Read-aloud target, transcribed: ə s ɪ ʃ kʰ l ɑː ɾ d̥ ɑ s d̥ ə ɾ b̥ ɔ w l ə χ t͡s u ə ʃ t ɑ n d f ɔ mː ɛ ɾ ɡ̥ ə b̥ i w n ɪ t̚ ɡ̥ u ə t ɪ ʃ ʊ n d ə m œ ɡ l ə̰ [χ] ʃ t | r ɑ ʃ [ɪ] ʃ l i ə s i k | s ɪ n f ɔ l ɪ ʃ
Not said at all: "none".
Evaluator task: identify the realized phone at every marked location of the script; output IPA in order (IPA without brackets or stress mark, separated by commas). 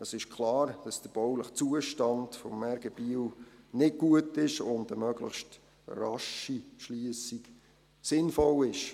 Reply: χ, i